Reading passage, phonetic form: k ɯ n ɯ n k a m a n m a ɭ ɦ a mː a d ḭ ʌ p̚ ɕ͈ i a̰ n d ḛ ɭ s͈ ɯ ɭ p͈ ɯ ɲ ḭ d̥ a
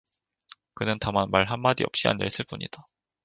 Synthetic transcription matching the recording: k ɯ n ɯ n t a m a n m a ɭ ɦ a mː a d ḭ ʌ p̚ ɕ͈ i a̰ n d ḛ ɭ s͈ ɯ ɭ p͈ u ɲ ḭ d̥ a